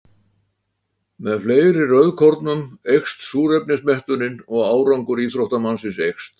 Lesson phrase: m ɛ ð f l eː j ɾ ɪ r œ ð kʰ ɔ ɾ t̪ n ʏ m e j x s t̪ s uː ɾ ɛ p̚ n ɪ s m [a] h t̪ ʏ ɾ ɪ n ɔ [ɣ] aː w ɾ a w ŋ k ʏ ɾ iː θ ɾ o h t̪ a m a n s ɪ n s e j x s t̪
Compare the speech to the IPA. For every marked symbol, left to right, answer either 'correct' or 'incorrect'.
incorrect: ɛ, correct

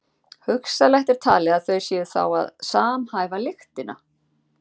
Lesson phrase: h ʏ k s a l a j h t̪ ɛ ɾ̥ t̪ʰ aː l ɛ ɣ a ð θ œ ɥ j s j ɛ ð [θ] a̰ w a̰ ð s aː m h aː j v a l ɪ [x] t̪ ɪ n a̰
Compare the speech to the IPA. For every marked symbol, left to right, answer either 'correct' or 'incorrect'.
correct, correct

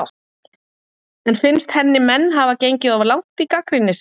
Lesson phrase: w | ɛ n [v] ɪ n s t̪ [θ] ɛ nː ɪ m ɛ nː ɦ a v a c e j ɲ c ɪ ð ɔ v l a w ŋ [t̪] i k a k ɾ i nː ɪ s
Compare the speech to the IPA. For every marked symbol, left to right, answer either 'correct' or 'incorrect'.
incorrect: f, incorrect: h, correct

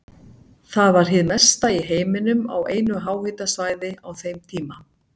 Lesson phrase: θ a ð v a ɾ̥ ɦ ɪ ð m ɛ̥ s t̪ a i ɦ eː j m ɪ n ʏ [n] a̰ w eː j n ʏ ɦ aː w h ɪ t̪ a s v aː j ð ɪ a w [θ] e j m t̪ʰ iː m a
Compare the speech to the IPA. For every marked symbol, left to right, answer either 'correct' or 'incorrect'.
incorrect: m, correct

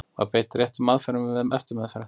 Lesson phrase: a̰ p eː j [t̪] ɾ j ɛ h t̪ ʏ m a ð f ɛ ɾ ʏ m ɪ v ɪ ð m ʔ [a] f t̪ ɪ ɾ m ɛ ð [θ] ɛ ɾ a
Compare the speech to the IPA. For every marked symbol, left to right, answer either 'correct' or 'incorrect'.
correct, incorrect: ɛ, incorrect: f

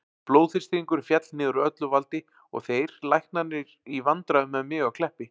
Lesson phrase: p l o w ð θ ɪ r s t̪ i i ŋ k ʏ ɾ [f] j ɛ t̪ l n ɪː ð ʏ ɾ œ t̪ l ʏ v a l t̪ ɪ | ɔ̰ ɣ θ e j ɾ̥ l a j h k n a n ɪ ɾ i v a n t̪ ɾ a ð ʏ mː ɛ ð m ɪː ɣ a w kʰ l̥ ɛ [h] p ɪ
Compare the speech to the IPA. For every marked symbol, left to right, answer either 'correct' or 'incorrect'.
correct, correct

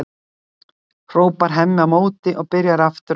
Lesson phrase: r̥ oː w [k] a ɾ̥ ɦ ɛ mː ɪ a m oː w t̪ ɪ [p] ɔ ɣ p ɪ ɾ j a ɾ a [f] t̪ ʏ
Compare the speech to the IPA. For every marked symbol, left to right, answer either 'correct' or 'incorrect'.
incorrect: p, incorrect: ʔ, correct

